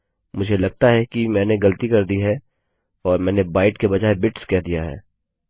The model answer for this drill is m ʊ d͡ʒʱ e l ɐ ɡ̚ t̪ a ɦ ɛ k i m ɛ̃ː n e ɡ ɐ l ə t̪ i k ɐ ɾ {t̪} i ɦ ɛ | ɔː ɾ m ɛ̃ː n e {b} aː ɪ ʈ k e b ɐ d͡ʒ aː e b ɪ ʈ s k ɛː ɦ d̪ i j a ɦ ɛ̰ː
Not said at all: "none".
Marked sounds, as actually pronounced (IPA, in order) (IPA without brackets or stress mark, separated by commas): d̪, b